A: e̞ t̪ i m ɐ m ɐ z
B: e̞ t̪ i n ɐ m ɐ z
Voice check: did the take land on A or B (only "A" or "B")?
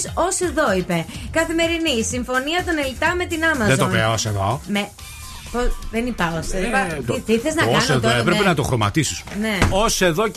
B